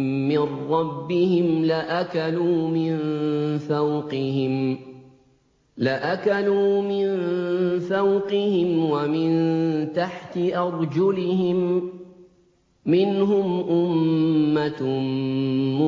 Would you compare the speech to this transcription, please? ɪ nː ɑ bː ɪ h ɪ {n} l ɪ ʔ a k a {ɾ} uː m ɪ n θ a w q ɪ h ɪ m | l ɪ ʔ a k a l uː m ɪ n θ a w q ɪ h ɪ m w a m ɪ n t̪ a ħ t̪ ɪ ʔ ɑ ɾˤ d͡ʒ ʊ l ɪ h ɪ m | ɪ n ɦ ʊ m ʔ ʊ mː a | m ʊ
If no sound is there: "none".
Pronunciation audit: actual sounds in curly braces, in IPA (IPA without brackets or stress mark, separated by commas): m, l